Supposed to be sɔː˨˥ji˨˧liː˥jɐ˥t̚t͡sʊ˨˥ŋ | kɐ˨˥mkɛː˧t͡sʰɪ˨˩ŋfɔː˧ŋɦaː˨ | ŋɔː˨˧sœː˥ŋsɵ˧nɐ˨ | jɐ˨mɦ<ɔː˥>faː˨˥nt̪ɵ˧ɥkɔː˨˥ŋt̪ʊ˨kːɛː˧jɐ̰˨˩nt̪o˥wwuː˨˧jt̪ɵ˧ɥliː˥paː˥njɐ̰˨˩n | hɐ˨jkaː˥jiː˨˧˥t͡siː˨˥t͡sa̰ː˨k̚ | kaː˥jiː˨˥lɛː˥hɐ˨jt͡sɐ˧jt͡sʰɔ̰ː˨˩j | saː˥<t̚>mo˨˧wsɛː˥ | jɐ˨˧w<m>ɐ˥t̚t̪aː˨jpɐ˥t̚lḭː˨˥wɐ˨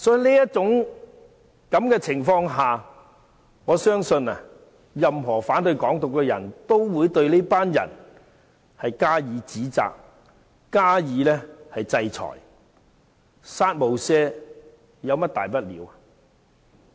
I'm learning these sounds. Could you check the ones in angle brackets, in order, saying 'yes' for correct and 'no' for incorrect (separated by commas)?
no, yes, yes